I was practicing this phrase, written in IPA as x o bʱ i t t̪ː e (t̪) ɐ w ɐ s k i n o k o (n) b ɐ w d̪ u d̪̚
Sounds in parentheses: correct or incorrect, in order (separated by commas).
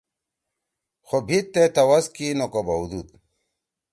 correct, incorrect